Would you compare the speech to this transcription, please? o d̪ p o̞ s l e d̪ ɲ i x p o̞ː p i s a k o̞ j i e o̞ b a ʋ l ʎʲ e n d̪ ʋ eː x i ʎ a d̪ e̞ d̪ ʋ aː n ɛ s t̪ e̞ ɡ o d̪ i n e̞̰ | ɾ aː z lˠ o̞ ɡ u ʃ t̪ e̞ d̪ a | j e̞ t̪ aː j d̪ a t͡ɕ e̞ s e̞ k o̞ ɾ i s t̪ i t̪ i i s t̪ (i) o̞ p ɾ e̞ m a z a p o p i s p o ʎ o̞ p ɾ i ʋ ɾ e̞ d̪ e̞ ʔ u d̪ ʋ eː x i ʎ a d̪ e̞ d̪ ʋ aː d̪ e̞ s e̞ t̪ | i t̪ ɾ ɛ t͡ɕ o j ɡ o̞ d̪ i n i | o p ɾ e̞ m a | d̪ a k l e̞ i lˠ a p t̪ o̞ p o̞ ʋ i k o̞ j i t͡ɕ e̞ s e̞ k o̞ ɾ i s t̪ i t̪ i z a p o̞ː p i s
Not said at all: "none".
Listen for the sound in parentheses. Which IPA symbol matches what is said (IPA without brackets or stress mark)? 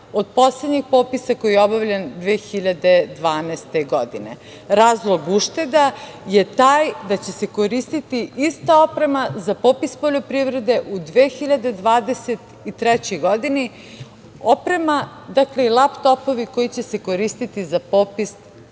a